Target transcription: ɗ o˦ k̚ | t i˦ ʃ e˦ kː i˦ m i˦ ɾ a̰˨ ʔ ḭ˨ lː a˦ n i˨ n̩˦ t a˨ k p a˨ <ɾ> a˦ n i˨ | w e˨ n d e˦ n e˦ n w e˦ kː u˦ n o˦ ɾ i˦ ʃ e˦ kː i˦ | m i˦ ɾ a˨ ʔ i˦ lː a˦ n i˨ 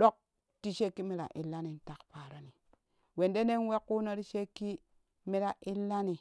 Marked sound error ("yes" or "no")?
no